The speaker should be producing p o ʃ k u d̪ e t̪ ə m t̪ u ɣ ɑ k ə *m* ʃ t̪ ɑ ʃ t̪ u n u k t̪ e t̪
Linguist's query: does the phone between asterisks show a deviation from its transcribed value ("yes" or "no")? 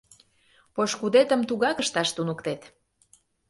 yes